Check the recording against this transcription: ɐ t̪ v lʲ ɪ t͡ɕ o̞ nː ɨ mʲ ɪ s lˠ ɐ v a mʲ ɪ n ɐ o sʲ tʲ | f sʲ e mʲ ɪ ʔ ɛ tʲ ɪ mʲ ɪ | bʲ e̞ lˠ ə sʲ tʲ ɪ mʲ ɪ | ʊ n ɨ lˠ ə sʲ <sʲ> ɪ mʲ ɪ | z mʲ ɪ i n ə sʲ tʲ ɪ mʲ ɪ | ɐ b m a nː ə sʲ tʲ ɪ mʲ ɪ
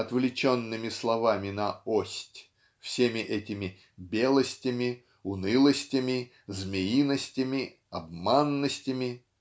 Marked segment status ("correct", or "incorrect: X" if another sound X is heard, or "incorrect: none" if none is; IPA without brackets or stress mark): incorrect: tʲ